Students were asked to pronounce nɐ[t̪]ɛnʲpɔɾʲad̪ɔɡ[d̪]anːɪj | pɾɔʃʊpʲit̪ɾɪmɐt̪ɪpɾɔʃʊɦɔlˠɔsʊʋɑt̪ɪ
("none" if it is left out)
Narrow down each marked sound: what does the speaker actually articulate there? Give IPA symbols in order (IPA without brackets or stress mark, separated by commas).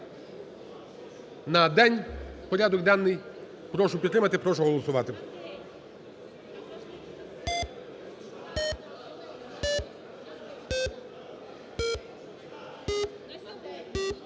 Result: d̪, d̪